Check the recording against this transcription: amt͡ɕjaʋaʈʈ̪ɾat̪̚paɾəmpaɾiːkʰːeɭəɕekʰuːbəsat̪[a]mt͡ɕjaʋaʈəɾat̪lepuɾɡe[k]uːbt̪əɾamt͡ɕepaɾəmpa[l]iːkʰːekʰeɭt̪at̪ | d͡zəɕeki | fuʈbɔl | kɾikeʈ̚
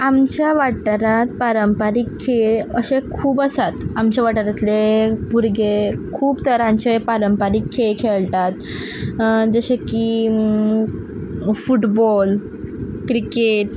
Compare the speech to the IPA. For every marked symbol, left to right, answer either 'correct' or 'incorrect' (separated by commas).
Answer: correct, incorrect, incorrect